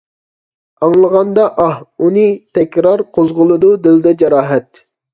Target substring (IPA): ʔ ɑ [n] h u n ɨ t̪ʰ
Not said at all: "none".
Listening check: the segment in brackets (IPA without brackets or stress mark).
none